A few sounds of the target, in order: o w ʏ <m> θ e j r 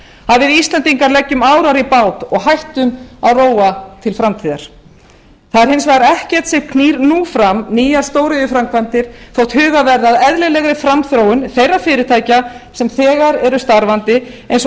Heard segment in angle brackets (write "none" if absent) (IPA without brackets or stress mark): n